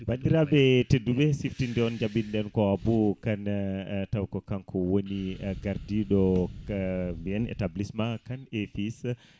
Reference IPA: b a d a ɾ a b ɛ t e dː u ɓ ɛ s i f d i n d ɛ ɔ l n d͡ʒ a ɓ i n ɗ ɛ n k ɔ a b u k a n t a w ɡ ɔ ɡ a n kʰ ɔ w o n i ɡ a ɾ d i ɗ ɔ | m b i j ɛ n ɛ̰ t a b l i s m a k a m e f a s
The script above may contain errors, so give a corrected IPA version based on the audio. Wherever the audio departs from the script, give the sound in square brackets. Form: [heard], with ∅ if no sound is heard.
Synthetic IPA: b a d [i] ɾ a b ɛ t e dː u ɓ ɛ s i f [t] i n d ɛ ɔ [∅] n d͡ʒ a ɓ i n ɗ ɛ n k ɔ a b u k a n t a w [k] ɔ [k] a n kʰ ɔ w o n i ɡ a ɾ d i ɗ ɔ | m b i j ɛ n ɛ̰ t a b l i s m a k a [n] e f [i] s

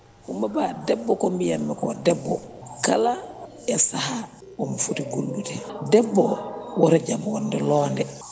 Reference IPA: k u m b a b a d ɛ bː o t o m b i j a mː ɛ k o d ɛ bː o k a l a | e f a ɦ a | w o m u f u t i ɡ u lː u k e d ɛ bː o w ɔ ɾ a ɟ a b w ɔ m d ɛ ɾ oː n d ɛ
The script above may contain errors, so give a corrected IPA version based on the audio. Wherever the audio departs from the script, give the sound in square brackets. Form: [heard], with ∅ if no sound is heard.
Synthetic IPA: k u m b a b a d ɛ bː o [k] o m b i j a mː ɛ k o d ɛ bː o k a l a | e [s] a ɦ a | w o m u f u t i ɡ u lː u [t] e d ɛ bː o w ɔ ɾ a ɟ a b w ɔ [n] d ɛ [l] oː n d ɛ

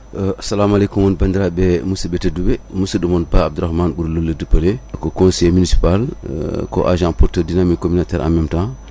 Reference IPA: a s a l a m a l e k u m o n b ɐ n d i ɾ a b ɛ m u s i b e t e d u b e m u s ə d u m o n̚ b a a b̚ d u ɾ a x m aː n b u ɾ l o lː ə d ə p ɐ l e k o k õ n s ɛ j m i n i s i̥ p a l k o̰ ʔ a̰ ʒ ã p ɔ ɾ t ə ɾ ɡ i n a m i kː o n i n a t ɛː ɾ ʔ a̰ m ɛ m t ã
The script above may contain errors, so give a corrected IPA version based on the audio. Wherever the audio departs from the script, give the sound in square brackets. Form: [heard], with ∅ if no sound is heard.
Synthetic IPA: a s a l a m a l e k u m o n b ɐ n d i ɾ a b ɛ m u s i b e t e d u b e m u s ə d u m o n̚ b a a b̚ d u ɾ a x m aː n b u ɾ l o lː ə d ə p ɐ l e k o k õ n s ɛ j m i n i s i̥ p a l k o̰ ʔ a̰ ʒ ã p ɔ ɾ t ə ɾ [d] i n a m i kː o [m] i n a t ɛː ɾ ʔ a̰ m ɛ m t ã

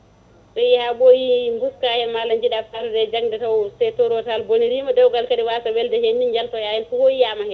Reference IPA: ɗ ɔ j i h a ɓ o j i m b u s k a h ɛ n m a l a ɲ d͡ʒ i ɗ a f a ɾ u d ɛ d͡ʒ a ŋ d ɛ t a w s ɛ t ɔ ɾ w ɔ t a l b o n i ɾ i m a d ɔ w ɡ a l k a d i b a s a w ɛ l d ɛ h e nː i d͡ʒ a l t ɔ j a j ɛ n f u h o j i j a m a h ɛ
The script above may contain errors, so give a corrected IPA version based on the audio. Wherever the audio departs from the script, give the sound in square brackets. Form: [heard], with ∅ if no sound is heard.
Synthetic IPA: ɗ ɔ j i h a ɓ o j i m b u s k a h ɛ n m a l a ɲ d͡ʒ i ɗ a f a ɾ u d ɛ d͡ʒ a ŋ d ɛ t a w s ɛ t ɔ ɾ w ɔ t a l b o n i ɾ i m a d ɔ w ɡ a l k a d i [w] a s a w ɛ l d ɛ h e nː i d͡ʒ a l t ɔ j a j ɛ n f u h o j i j a m a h ɛ

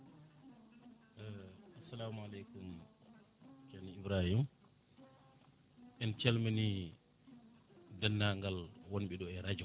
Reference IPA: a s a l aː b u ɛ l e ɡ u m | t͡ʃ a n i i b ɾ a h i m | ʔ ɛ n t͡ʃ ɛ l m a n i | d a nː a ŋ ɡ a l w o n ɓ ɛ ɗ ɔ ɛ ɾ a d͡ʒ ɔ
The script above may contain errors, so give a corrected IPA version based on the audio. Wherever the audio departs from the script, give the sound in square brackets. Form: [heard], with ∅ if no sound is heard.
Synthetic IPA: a s a l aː [m] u [a] l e [k] u m | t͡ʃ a n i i b ɾ a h i m | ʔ ɛ n t͡ʃ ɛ l m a n i | d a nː a ŋ ɡ a l w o n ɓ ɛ ɗ ɔ ɛ ɾ a d͡ʒ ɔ

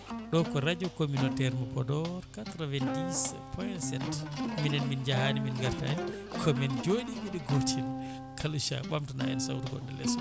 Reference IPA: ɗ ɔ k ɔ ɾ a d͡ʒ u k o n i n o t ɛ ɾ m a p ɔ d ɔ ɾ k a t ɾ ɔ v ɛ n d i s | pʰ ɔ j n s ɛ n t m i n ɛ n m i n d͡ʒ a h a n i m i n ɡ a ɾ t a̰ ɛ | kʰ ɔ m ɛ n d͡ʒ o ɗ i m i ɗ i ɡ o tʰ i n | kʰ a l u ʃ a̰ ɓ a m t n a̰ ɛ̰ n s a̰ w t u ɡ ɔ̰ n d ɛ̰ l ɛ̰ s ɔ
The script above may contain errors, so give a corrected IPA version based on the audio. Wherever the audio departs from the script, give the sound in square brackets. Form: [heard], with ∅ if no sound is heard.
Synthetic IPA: ɗ ɔ k ɔ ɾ a d͡ʒ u k o [m] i n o t ɛ ɾ m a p ɔ d ɔ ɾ k a t ɾ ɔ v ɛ n d i s | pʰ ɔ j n s ɛ n t m i n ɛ n m i n d͡ʒ a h a n i m i n ɡ a ɾ t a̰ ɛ | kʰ ɔ m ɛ n d͡ʒ o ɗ i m i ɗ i ɡ o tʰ i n | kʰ a l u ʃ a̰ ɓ a m t n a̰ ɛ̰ n s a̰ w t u ɡ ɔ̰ n d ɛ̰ l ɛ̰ s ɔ

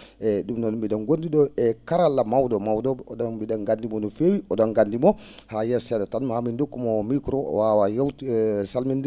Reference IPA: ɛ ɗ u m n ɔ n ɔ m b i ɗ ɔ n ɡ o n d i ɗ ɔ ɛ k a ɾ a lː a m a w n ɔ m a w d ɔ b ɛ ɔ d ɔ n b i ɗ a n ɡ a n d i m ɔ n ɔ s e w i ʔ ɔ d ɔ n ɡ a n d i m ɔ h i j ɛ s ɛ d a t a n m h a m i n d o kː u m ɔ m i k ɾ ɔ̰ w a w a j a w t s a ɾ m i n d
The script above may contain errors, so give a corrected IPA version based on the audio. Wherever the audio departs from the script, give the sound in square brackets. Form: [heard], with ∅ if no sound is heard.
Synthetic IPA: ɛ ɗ u m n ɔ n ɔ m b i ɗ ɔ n ɡ o n d i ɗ ɔ ɛ k a ɾ a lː a m a w [d] ɔ m a w d ɔ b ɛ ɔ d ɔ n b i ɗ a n ɡ a n d i m ɔ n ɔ [f] e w i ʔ ɔ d ɔ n ɡ a n d i m ɔ h [a] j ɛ s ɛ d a t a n m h a m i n d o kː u m ɔ m i k ɾ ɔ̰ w a w a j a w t s a [l] m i n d

